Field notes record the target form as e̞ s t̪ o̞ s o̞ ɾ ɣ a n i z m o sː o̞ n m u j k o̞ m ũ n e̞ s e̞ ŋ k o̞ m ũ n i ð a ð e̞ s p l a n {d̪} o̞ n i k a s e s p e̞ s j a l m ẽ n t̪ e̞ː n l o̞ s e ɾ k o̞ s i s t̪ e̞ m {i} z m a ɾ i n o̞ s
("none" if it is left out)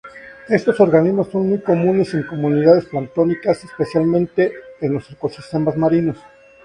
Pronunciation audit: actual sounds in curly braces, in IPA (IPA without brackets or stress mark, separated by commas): t̪, a